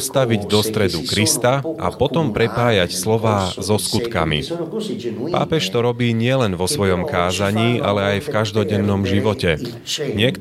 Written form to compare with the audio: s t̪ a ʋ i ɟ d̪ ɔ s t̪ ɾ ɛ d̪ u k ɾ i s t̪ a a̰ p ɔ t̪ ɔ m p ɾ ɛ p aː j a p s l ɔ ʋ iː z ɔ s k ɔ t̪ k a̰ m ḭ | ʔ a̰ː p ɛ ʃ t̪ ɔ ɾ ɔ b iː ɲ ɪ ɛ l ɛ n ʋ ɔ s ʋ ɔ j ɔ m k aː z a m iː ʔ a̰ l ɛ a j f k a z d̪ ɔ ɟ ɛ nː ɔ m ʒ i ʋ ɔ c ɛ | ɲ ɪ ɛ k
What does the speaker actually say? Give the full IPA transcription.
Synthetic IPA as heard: s t̪ a ʋ i ɟ d̪ ɔ s t̪ ɾ ɛ d̪ u k ɾ i s t̪ a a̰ p ɔ t̪ ɔ m p ɾ ɛ p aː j a c s l ɔ ʋ aː z ɔ s k u t̪ k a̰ m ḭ | p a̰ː p ɛ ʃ t̪ ɔ ɾ ɔ b iː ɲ ɪ ɛ l ɛ n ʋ ɔ s ʋ ɔ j ɔ m k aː z a ɲ iː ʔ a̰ l ɛ a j f k a ʒ d̪ ɔ ɟ ɛ nː ɔ m ʒ i ʋ ɔ c ɛ | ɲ ɪ ɛ k